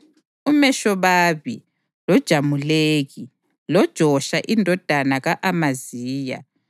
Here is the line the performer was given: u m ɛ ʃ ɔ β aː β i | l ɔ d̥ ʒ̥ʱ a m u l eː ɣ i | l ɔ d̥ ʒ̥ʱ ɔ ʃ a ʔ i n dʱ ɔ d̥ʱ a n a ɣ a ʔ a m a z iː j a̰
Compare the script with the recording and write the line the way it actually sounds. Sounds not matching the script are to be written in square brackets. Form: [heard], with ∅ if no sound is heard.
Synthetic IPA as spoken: u m ɛ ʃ ɔ β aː β i | l ɔ d̥ ʒ̥ʱ a m u l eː ɣ i | l ɔ d̥ ʒ̥ʱ ɔ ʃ a ʔ i n dʱ ɔ d̥ʱ a n a ɣ a ʔ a m a z iː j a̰

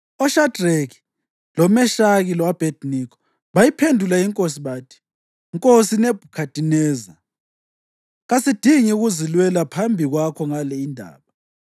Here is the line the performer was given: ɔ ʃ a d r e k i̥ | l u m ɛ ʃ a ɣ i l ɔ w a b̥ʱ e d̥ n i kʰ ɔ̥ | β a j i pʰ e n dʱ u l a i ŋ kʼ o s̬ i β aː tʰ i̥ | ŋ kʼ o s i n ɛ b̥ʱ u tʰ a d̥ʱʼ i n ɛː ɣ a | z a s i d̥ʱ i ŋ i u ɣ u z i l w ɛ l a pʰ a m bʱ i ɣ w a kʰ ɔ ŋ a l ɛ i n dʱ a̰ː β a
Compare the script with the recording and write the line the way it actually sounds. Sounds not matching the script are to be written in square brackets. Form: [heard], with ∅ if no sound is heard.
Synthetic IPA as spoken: ɔ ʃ a d r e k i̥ | l [ɔ] m ɛ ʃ a ɣ i l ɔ w a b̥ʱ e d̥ n i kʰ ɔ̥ | β a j i pʰ e n dʱ u l a i ŋ kʼ o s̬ i β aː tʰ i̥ | ŋ kʼ o s i n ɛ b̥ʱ u [kʰ] a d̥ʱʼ i n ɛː [z] a | [ɣ] a s i d̥ʱ i ŋ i u ɣ u z i l w ɛ l a pʰ a m bʱ i ɣ w a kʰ ɔ ŋ a l ɛ i n dʱ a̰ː β a

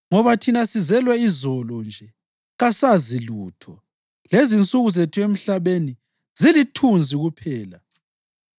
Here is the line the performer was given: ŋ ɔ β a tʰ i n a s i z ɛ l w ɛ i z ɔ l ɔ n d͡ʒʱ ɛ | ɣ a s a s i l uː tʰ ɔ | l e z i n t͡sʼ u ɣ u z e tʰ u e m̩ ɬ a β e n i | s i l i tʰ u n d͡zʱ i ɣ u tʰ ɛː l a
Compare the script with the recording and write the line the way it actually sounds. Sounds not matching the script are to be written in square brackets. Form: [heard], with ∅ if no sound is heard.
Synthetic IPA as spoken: ŋ ɔ β a tʰ i n a s i z ɛ l w ɛ i z ɔ l ɔ n d͡ʒʱ ɛ | ɣ a s a [z] i l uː tʰ ɔ | l e z i n t͡sʼ u ɣ u z e tʰ u e m̩ ɬ a β e n i | [z] i l i tʰ u n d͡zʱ i ɣ u [pʰ] ɛː l a

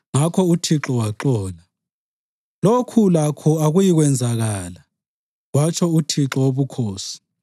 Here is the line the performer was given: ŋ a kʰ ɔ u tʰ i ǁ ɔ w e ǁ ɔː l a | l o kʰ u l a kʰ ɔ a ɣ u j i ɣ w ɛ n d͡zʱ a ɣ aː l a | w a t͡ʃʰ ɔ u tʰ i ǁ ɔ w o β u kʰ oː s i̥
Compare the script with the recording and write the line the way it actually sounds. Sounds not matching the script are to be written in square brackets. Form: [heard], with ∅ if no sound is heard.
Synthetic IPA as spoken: ŋ a kʰ ɔ u tʰ i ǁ ɔ w [a] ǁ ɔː l a | l o kʰ u l a kʰ ɔ a ɣ u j i ɣ w ɛ n d͡zʱ a ɣ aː l a | w a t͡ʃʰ ɔ u tʰ i ǁ ɔ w o β u kʰ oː s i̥

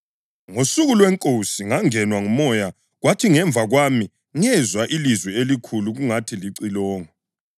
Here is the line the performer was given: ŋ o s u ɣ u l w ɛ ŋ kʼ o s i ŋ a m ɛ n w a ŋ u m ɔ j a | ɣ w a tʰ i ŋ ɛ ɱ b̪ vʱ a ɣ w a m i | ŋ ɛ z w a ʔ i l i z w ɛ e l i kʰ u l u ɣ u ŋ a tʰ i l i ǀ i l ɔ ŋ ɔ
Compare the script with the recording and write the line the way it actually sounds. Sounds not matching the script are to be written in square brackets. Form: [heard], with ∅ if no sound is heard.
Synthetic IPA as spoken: ŋ o s u ɣ u l w ɛ ŋ kʼ o s i ŋ a [ŋ] ɛ n w a ŋ u m ɔ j a | ɣ w a tʰ i ŋ ɛ ɱ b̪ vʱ a ɣ w a m i | ŋ ɛ z w a ʔ i l i z w ɛ e l i kʰ u l u ɣ u ŋ a tʰ i l i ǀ i l [ɔː] ŋ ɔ

